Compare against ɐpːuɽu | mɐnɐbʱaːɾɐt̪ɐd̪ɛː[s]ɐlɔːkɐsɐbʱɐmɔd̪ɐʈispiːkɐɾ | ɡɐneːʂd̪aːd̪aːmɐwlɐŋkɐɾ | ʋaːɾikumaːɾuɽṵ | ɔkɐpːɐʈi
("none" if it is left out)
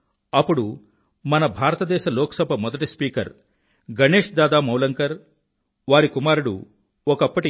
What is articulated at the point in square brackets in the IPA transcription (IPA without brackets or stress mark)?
ʃ